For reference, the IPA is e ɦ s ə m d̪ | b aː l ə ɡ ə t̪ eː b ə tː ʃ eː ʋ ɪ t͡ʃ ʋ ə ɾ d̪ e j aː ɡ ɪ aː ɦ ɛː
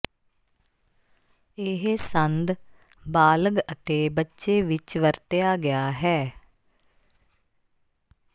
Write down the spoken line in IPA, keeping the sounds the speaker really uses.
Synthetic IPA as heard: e ɦ s ə n d̪ | b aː l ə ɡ ə t̪ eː b ə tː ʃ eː ʋ ɪ t͡ʃ ʋ ə ɾ t̪ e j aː ɡ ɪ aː ɦ ɛː